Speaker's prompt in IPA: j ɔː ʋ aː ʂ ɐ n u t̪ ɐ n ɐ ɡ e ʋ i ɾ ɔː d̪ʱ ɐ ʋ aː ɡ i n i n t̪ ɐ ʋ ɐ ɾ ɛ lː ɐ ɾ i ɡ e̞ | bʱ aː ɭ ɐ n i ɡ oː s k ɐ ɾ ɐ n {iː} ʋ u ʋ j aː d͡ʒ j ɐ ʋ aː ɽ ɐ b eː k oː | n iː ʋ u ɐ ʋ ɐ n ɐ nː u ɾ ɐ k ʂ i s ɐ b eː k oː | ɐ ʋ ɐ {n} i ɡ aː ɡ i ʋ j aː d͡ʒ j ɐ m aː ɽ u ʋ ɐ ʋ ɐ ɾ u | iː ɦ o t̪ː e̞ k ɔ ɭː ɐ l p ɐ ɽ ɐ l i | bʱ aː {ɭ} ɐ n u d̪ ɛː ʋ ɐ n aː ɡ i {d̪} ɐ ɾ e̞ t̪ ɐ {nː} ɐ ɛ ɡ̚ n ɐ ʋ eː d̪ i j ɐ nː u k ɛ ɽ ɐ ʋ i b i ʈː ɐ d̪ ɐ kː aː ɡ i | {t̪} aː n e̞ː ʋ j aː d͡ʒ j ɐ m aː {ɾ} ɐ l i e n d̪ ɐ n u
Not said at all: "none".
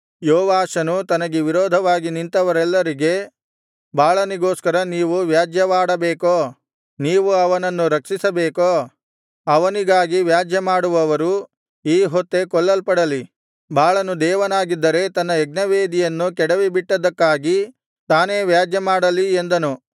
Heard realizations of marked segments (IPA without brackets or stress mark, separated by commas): iː, n, ɭ, d̪ː, nː, t̪, ɽ